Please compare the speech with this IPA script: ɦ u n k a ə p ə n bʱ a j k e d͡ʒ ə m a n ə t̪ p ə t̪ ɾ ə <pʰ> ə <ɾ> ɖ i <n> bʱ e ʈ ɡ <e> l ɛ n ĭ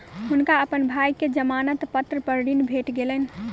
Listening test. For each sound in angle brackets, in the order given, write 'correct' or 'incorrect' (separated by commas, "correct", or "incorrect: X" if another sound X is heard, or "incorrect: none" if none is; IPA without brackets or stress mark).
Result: incorrect: p, correct, correct, correct